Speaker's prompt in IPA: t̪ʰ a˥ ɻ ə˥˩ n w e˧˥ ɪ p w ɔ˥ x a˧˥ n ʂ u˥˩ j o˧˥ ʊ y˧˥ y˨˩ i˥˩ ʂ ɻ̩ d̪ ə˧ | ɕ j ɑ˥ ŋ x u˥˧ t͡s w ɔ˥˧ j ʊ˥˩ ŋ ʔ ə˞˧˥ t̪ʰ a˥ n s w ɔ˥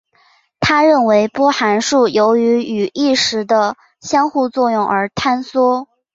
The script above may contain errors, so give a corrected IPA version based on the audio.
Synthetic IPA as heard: t̪ʰ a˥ ɻ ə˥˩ n w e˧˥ ɪ p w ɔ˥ x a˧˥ n ʂ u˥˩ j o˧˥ ʊ y˧˥ y˨˩ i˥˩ ʂ ɻ̩ d̪ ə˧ | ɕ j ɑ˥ ŋ x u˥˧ t͡s w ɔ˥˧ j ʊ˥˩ ŋ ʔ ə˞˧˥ t̪ʰ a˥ n s w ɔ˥